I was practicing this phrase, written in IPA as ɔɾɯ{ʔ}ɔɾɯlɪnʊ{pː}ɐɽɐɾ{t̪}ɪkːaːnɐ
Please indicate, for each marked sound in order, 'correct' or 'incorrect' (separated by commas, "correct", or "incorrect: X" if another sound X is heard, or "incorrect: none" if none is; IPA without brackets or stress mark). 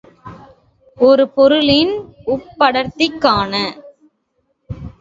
incorrect: p, correct, correct